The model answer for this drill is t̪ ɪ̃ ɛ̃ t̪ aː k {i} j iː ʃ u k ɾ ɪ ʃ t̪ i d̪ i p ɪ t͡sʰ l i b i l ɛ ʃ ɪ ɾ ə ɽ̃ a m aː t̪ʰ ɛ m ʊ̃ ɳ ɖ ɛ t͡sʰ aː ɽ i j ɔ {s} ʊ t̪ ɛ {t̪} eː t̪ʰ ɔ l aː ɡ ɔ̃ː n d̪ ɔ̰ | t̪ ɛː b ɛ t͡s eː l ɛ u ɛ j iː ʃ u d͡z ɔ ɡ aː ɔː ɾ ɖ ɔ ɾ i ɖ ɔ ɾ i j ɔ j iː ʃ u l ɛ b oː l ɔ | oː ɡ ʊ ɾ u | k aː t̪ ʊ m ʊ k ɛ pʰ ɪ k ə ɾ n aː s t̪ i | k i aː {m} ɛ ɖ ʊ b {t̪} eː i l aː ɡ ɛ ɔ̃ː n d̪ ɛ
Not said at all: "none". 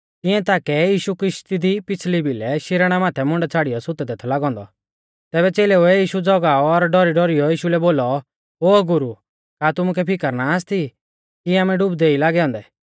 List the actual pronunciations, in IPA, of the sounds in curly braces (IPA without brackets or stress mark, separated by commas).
ɛ, s, d̪, m, d̪